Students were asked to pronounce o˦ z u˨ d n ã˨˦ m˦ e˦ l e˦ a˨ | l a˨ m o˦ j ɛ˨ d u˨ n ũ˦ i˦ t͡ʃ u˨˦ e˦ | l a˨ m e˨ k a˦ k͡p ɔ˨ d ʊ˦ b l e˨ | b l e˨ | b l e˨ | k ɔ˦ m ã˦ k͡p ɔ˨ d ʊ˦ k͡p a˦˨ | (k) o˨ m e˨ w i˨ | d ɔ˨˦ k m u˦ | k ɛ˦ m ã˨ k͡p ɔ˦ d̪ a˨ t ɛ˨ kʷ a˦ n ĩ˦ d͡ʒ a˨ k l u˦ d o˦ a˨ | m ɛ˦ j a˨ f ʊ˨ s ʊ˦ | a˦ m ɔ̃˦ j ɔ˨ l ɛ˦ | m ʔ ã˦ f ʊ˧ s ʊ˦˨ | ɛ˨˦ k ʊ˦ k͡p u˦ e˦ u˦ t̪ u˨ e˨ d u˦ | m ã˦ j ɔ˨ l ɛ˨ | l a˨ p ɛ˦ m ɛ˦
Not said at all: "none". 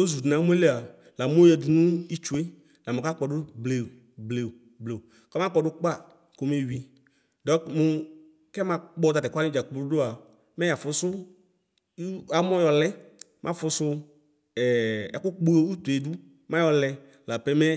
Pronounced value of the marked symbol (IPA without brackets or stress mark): k